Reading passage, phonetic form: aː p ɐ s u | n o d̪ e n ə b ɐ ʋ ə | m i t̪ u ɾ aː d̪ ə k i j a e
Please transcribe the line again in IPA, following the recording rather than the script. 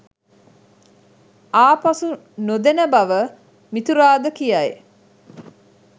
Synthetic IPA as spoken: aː p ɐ s u | n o d̪ e n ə b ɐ ʋ ə | m i t̪ u ɾ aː d̪ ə k i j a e